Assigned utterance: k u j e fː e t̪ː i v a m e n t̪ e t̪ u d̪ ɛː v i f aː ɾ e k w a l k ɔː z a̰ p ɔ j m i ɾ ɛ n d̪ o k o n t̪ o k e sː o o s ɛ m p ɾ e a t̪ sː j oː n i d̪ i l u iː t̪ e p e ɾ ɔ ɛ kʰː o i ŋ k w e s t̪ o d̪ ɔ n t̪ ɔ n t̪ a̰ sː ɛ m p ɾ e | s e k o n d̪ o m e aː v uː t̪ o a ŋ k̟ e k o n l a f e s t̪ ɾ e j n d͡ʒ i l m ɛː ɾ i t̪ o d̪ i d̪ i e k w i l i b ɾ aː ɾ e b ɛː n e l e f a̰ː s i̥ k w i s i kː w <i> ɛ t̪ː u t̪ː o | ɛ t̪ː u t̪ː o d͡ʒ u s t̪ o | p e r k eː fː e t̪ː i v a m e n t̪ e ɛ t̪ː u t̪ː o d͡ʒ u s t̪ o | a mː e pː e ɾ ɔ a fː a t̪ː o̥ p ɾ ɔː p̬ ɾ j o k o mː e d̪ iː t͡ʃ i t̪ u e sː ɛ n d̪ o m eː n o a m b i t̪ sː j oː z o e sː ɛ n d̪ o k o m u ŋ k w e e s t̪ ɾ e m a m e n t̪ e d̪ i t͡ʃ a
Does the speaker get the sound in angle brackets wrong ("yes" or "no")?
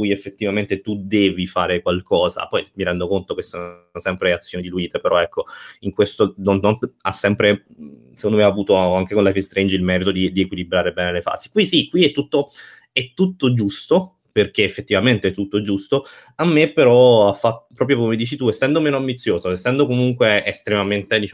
no